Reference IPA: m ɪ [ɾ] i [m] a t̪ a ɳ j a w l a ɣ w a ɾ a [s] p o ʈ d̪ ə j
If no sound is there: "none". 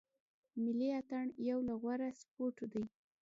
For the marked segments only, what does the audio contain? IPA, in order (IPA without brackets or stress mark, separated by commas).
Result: l, none, s